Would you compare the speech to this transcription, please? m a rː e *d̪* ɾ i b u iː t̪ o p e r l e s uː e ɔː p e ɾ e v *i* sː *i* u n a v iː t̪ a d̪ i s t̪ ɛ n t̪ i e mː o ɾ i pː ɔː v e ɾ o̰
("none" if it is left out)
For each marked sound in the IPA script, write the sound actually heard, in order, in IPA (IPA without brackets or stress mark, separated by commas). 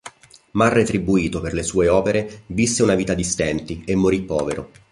t̪, i, e